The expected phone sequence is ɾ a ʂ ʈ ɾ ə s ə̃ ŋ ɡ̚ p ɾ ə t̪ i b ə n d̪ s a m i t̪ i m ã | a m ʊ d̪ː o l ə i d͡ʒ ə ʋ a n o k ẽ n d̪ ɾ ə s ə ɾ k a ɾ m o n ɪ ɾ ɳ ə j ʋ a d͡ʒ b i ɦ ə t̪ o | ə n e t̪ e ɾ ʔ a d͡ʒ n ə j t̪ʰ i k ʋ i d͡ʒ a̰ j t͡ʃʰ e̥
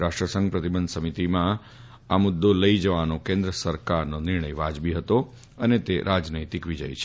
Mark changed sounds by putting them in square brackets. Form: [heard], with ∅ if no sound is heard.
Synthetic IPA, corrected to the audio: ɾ a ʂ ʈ ɾ ə s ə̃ ŋ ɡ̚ p ɾ ə t̪ i b ə n d̪ s [ə] m i t̪ i m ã | a m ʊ d̪ː o l ə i d͡ʒ ə ʋ a n o k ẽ n d̪ ɾ ə s ə ɾ k a ɾ [n] o n ɪ ɾ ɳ ə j ʋ a d͡ʒ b i ɦ ə t̪ o | ə n e t̪ e ɾ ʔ a d͡ʒ n ə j [t̪] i k ʋ i d͡ʒ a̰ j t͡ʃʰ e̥